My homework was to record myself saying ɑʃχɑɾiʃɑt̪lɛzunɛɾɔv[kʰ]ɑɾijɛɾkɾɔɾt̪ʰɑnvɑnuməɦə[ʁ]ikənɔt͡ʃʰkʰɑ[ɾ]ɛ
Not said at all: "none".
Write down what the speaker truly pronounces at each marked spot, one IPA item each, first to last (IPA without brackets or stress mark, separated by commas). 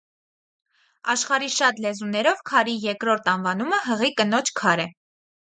kʰ, ʁ, ɾ